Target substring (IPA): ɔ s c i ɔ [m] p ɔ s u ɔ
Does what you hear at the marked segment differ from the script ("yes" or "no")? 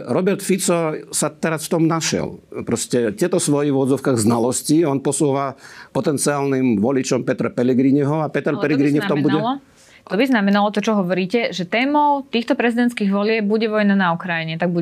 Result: yes